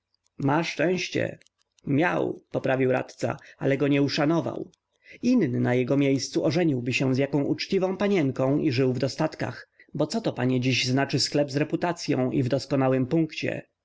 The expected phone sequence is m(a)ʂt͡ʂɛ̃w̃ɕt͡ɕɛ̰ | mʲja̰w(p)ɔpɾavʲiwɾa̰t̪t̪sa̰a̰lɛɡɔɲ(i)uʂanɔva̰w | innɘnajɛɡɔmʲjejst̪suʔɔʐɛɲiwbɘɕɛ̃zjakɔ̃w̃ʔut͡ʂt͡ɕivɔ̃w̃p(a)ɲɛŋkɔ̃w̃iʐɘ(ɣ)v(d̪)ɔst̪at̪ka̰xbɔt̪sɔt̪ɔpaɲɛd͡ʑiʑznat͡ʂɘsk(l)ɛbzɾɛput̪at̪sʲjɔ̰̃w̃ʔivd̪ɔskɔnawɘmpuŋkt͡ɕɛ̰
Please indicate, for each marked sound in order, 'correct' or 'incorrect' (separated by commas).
correct, correct, incorrect, correct, incorrect, correct, correct